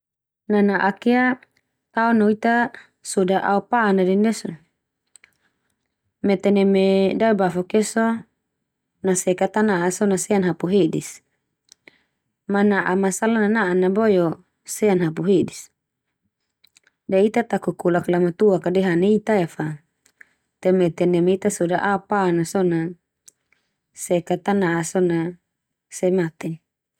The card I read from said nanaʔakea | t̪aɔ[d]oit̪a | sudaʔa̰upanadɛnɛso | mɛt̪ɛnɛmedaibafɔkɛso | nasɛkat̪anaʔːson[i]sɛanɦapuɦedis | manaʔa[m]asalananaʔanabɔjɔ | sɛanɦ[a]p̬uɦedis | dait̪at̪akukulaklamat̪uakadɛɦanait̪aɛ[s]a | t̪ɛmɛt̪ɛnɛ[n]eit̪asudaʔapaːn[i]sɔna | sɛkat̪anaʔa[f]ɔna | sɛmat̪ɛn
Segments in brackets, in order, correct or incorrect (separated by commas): incorrect, incorrect, correct, correct, incorrect, incorrect, incorrect, incorrect